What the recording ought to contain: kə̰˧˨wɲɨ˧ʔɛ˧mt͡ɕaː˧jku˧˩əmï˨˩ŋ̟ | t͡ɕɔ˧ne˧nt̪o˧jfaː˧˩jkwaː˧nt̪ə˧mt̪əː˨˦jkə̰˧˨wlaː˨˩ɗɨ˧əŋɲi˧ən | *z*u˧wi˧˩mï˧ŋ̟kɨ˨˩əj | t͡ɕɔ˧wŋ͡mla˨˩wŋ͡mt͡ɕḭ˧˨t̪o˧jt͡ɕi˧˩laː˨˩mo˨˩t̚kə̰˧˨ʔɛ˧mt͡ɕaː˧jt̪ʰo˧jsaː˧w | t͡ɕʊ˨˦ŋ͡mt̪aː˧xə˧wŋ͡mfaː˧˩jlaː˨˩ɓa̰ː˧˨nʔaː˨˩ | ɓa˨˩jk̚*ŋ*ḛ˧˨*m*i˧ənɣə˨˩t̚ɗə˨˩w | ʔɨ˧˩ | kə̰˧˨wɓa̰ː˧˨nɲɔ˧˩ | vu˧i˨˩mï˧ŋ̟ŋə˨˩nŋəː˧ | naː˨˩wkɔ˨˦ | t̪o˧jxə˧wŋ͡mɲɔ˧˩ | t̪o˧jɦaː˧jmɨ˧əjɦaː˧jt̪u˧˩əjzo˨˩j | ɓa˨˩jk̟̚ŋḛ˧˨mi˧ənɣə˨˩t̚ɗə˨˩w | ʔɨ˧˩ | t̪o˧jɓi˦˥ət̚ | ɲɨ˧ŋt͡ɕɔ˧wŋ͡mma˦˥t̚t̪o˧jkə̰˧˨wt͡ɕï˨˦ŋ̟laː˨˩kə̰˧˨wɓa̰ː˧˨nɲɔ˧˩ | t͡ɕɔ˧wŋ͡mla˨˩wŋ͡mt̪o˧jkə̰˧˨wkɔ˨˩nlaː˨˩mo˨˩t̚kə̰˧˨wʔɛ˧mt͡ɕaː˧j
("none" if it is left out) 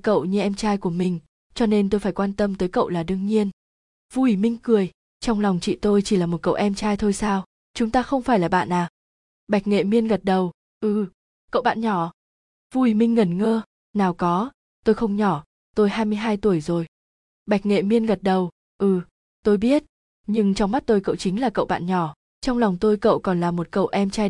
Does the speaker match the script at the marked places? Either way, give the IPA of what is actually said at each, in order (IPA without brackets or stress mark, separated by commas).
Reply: v, ŋ, m